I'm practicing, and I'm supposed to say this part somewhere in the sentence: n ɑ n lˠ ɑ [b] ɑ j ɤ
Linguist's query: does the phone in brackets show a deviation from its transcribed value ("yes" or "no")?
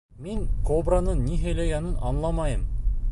yes